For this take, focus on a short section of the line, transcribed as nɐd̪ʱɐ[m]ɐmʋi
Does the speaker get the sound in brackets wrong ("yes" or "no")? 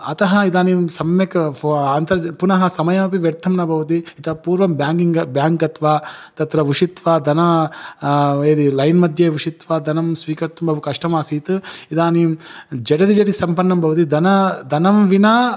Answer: yes